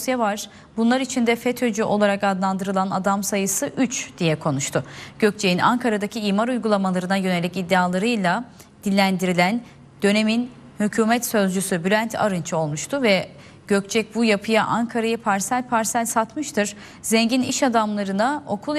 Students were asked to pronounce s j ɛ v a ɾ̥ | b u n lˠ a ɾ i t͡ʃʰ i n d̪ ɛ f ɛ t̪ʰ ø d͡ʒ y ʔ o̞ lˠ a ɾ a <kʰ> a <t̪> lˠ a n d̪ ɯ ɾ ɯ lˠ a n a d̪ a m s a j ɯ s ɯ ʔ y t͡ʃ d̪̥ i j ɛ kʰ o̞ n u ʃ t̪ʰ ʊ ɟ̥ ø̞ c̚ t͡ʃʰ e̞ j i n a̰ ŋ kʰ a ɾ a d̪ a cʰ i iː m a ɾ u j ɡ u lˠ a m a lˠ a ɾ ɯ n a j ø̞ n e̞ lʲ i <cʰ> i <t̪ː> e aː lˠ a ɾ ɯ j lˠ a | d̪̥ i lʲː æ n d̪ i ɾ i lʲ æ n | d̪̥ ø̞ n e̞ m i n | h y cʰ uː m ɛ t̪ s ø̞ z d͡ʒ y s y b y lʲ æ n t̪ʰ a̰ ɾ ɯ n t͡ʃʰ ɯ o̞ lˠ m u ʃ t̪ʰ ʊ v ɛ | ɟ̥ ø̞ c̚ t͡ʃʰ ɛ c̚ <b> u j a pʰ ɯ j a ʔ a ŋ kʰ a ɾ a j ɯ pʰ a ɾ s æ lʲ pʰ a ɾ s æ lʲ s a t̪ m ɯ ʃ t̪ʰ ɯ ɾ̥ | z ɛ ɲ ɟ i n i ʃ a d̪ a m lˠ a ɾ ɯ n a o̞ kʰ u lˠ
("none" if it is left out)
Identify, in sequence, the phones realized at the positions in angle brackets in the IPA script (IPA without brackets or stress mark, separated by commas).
k, d̪, c, d̪ː, b